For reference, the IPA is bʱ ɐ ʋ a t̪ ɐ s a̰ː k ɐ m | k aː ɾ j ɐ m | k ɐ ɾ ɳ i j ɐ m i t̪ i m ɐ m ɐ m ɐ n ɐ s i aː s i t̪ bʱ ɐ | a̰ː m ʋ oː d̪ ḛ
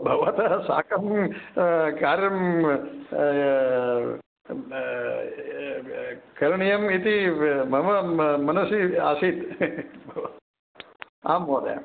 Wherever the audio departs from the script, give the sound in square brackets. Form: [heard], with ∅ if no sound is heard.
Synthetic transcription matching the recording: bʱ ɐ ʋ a t̪ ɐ s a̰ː k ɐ m | k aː ɾ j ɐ m | k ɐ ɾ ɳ i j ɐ m i t̪ i m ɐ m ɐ m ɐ n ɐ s i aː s i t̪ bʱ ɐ | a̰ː m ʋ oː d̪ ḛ